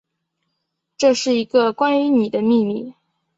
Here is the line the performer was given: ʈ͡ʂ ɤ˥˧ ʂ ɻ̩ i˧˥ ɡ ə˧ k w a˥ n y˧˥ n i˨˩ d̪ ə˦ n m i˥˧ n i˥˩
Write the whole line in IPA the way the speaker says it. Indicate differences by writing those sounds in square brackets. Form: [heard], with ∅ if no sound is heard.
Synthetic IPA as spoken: ʈ͡ʂ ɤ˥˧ ʂ ɻ̩ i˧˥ ɡ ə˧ k w a˥ n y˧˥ n i˨˩ d̪ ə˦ [∅] m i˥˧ [m] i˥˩